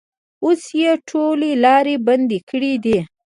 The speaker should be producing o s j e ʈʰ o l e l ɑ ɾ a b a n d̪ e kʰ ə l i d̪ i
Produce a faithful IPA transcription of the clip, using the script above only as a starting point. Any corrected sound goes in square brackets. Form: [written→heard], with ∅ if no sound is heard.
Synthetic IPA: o s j e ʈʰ o l e l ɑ ɾ [a→e] b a n d̪ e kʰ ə [l→ɽ] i d̪ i